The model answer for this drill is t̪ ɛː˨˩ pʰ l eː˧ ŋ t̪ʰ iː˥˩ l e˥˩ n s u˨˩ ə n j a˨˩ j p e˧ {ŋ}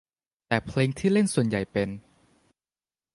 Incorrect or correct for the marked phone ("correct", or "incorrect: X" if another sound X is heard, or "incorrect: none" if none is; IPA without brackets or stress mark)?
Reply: incorrect: n